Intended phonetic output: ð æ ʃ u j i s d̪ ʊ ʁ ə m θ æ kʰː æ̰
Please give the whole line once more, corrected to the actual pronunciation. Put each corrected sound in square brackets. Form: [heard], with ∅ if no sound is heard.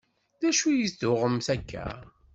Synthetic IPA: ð æ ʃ u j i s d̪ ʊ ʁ ə m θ æ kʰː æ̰